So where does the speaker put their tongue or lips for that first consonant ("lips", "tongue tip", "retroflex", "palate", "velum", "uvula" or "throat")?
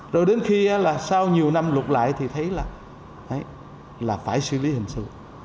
tongue tip